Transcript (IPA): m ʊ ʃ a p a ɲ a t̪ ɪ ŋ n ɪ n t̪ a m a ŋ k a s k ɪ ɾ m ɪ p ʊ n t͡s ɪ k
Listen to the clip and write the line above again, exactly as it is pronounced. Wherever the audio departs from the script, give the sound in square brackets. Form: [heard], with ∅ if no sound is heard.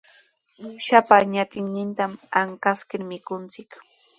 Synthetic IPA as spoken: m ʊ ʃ a p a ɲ a t̪ ɪ ŋ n ɪ n t̪ a m a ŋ k a s k ɪ ɾ m ɪ [k] ʊ n t͡s ɪ k